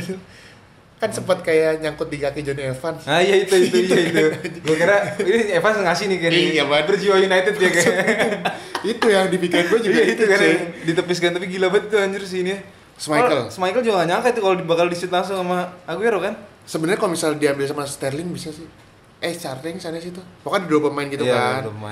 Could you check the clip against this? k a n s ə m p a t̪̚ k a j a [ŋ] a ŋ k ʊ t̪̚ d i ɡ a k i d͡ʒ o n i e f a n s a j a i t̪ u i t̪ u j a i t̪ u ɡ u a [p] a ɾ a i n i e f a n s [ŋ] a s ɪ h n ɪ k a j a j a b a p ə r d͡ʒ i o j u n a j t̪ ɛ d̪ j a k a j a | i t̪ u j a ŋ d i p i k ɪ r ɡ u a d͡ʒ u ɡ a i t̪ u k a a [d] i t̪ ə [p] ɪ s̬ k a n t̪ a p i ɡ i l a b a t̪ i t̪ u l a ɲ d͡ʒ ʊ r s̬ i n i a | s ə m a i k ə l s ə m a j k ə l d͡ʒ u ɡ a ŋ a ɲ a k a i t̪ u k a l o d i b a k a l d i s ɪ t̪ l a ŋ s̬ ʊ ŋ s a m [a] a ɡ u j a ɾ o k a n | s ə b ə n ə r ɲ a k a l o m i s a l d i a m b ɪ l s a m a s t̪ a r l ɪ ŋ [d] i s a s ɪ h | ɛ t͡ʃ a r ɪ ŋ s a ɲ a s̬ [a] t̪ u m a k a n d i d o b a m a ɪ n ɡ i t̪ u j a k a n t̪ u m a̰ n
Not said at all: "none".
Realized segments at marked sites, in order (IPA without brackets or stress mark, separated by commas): ɲ, k, ŋ, d, p, a, b, i